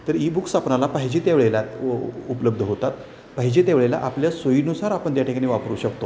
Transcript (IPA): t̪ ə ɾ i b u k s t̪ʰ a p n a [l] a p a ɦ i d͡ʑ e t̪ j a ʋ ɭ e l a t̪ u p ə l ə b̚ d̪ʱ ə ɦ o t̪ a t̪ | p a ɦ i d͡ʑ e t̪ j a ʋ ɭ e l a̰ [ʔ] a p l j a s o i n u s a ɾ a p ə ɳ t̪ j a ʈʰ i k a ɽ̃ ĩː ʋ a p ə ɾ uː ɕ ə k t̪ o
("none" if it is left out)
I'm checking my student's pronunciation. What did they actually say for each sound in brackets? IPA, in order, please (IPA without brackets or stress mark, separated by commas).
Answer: l, ʔ